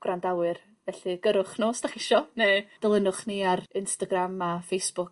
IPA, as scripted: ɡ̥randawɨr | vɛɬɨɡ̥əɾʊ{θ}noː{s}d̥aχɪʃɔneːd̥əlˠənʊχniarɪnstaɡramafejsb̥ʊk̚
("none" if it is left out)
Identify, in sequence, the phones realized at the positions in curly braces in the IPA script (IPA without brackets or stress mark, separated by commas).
χ, s